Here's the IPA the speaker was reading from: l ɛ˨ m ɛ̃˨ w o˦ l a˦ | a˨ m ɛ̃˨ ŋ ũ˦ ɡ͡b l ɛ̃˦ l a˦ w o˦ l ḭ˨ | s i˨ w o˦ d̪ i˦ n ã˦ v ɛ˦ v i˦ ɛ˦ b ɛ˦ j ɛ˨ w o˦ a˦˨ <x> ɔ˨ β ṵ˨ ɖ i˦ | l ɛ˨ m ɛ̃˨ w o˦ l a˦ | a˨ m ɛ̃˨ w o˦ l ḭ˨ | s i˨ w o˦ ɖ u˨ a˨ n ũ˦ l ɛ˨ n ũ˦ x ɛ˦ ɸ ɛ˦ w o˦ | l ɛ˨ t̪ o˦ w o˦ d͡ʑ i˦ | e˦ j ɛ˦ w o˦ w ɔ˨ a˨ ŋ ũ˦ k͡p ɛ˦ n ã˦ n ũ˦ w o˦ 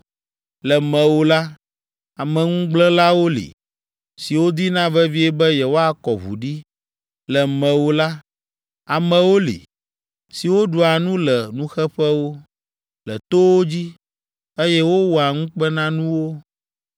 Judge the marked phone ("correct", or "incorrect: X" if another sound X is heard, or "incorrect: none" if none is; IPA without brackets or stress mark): incorrect: k